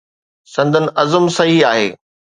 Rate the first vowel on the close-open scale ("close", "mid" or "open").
open